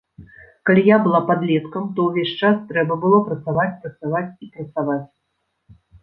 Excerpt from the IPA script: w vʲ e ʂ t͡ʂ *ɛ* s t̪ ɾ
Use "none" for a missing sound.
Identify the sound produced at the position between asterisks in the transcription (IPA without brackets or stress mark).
a